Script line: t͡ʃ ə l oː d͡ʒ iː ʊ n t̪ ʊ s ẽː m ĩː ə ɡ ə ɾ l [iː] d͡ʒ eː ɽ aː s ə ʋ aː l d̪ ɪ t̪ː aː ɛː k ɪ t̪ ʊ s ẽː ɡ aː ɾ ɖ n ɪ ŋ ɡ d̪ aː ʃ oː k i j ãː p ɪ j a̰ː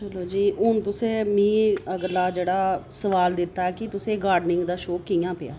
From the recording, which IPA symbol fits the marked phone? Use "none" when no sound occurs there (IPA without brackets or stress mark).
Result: aː